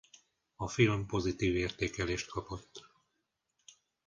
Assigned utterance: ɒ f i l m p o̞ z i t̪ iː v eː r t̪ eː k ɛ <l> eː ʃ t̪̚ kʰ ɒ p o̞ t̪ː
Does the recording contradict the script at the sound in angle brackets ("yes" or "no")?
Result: no